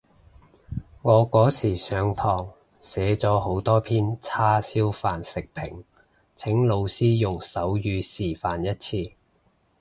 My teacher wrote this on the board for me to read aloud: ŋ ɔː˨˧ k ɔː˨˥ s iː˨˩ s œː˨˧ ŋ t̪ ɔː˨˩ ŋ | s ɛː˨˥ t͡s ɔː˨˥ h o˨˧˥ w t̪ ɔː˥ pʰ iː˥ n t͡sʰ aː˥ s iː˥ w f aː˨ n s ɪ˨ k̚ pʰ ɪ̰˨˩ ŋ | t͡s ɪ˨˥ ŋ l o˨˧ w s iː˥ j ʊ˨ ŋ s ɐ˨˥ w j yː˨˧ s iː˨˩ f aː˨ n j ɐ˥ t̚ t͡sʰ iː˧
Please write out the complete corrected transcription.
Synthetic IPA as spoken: ŋ ɔː˨˧ k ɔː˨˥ s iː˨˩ s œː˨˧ ŋ t̪ʰ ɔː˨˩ ŋ | s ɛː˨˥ t͡s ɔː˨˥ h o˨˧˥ w t̪ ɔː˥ pʰ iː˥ n t͡sʰ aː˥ s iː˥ w f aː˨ n s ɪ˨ k̚ pʰ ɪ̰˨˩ ŋ | t͡sʰ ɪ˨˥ ŋ l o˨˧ w s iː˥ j ʊ˨ ŋ s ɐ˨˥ w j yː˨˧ s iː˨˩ f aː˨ n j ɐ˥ t̚ t͡sʰ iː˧